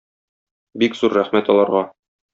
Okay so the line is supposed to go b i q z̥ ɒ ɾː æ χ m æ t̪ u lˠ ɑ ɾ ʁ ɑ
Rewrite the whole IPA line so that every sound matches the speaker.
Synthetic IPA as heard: b i k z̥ u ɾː æ χ m æ t̪ ɒ lˠ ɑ ɾ ʁ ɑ